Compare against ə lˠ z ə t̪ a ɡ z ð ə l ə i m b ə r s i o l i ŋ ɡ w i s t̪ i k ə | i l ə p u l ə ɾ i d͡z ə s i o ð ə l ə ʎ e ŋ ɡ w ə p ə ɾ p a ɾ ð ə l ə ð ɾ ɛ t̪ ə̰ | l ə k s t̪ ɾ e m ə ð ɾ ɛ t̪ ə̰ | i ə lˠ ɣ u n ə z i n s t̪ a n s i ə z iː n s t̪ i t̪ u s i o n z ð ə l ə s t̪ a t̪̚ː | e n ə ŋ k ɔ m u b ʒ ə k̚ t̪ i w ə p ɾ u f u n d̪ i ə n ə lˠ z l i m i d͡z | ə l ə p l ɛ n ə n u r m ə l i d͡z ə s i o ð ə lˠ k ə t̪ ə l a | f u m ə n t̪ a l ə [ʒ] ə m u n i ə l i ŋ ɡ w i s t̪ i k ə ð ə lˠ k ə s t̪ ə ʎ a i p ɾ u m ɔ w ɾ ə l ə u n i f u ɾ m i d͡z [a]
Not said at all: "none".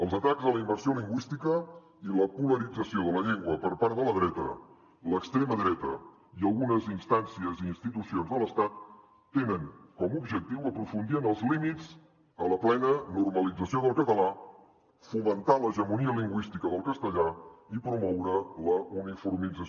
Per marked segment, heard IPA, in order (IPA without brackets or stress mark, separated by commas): ʒ, ə